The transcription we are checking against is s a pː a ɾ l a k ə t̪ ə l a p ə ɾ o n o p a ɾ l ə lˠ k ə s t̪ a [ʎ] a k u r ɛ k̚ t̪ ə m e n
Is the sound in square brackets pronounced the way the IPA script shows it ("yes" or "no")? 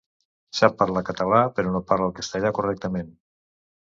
yes